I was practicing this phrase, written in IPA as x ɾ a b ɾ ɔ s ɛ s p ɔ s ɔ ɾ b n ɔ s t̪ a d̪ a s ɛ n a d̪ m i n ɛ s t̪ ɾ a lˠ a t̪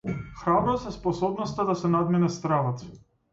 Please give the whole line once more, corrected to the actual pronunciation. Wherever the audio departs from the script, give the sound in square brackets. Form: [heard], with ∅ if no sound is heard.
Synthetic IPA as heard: x ɾ a b ɾ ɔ s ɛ s p ɔ s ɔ [∅] b n ɔ s t̪ a d̪ a s ɛ n a d̪ m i n ɛ s t̪ ɾ a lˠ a t̪